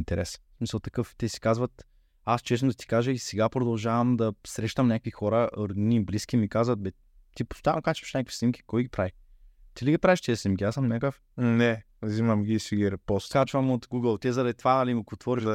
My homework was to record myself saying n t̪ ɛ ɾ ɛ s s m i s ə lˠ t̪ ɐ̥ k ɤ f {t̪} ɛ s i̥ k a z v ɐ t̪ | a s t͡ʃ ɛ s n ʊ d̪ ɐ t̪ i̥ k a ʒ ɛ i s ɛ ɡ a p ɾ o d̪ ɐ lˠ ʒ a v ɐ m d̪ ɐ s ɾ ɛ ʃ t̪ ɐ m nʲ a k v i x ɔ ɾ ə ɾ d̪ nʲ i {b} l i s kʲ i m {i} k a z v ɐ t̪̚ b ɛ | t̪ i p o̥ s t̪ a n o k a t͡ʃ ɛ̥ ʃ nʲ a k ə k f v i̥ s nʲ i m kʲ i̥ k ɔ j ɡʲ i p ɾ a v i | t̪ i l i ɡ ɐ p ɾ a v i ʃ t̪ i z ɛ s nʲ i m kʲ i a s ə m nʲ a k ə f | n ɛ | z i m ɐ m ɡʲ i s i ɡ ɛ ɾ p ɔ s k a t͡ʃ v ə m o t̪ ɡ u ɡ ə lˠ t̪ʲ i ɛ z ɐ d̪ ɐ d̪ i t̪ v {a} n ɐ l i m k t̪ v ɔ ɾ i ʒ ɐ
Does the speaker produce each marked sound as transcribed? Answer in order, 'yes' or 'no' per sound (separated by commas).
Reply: yes, yes, yes, yes